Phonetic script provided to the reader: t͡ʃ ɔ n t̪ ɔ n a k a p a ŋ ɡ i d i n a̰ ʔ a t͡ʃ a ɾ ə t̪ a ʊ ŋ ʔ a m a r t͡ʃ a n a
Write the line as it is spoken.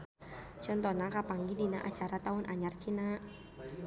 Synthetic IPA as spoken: t͡ʃ ɔ n t̪ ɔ n a k a p a ŋ ɡ i d i n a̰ ʔ a t͡ʃ a ɾ a t̪ a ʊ n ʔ a ɲ a r t͡ʃ i n a